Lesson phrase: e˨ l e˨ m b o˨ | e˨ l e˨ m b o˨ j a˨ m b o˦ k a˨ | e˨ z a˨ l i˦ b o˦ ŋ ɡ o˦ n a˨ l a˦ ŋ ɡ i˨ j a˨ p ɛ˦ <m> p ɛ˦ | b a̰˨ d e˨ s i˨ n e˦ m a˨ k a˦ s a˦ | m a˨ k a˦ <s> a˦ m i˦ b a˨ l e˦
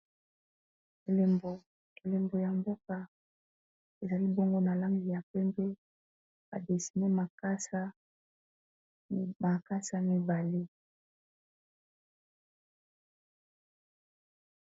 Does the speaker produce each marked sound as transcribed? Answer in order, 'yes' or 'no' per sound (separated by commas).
yes, yes